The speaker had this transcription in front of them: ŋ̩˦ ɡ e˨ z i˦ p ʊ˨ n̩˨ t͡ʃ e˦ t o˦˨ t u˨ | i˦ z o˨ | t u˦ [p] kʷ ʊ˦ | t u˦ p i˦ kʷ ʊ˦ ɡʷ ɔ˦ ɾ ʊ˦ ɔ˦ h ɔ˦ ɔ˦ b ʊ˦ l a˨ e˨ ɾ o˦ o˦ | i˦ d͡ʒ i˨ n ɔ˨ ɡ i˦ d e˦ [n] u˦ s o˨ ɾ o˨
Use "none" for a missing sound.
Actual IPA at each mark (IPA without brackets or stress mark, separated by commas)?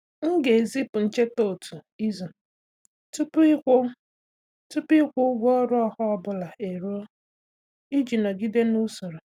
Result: p, n